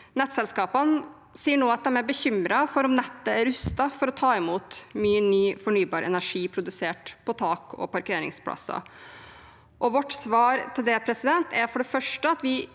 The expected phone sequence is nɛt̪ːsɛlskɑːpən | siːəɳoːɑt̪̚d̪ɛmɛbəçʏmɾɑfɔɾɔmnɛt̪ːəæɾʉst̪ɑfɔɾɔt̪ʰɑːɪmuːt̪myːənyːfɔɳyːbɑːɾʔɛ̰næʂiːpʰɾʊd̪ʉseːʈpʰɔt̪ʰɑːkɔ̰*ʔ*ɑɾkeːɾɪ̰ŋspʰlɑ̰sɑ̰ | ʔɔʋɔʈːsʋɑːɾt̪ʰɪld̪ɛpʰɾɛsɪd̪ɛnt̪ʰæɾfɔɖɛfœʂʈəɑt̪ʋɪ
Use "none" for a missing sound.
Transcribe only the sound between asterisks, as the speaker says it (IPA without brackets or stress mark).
p